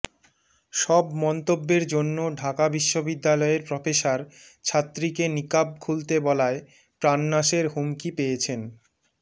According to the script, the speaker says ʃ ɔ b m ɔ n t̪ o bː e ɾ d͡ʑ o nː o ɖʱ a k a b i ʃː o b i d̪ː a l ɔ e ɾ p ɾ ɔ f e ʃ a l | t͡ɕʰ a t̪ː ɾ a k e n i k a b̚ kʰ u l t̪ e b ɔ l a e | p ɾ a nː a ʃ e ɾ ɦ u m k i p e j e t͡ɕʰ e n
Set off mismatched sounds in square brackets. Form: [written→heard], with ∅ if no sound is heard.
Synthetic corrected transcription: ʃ ɔ b m ɔ n t̪ o bː e ɾ d͡ʑ o nː o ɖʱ a k a b i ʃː o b i d̪ː a l ɔ e ɾ p ɾ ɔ f e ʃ a [l→ɾ] | t͡ɕʰ a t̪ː ɾ [a→i] k e n i k a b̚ kʰ u l t̪ e b ɔ l a e | p ɾ a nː a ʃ e ɾ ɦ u m k i p e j e t͡ɕʰ e n